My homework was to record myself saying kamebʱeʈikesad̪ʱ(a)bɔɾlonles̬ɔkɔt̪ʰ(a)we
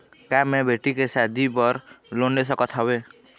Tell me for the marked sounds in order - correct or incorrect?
incorrect, correct

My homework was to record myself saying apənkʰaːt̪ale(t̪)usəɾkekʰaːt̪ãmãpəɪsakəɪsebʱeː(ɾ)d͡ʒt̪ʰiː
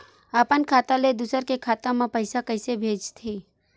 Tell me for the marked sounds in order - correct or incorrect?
incorrect, incorrect

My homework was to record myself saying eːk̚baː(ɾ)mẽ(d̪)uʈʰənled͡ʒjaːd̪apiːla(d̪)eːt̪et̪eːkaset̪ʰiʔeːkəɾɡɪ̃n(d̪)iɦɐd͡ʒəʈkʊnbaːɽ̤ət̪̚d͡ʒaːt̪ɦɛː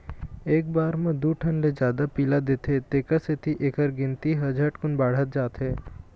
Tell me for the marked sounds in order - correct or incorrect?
correct, correct, correct, incorrect

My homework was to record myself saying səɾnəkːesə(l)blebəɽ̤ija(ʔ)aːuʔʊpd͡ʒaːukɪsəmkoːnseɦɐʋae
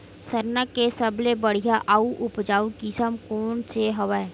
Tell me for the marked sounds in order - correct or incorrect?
incorrect, correct

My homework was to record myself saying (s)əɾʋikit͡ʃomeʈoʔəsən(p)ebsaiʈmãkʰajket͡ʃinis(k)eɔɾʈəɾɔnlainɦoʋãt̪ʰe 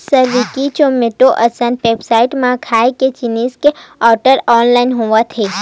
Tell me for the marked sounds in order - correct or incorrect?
correct, correct, correct

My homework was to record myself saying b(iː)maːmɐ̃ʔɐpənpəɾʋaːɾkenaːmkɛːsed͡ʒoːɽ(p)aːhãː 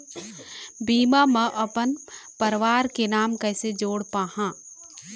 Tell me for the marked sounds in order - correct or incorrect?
correct, correct

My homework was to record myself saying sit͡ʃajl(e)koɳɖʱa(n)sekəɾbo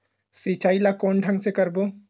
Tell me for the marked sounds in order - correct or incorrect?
incorrect, incorrect

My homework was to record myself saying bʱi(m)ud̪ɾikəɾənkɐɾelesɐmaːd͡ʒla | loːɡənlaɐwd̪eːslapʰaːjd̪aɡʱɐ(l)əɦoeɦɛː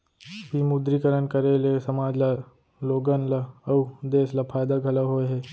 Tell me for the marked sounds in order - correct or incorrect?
correct, correct

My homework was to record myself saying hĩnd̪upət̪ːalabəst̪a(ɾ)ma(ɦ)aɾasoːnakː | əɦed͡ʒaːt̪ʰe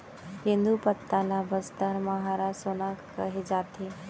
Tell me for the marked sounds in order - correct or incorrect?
correct, correct

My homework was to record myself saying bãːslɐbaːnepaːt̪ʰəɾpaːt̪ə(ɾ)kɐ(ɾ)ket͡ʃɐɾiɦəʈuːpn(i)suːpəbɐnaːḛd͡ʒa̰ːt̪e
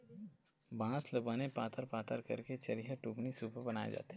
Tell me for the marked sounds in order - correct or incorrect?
correct, correct, correct

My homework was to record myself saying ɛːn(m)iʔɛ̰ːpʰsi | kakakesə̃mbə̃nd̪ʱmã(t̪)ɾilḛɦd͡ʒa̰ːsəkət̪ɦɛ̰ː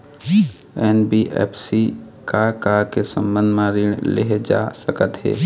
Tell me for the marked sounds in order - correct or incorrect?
incorrect, incorrect

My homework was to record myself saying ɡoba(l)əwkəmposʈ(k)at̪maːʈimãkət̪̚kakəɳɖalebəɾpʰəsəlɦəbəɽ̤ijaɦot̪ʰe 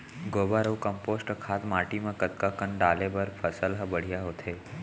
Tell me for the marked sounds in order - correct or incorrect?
incorrect, incorrect

